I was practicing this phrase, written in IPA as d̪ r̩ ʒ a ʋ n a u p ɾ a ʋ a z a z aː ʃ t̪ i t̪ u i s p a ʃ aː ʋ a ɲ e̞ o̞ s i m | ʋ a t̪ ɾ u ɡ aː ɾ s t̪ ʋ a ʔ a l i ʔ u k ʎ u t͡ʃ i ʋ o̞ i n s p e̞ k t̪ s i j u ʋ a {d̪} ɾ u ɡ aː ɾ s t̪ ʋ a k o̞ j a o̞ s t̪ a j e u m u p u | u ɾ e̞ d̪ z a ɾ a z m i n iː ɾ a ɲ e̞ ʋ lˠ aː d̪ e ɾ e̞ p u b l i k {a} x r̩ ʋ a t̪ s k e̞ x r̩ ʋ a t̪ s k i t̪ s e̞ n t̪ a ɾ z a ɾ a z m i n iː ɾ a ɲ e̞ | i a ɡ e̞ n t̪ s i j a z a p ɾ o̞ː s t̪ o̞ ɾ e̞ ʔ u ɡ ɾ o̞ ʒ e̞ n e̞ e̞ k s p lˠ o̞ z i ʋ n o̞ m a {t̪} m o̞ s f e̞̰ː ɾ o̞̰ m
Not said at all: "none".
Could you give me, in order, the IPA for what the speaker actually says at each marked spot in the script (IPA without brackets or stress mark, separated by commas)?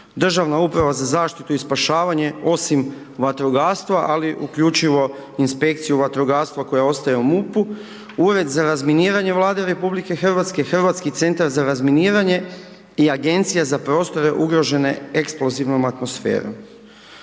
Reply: t̪, e, t̪